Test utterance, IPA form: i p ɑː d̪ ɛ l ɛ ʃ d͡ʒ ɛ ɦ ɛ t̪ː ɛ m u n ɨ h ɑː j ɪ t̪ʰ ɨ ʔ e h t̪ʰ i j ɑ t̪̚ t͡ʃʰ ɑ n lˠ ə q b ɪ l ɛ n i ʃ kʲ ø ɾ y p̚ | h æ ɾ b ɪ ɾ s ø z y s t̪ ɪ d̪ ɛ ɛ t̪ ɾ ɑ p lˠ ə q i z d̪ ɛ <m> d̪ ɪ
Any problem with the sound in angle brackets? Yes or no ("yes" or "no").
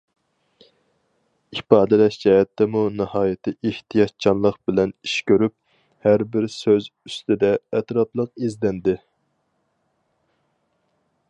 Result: yes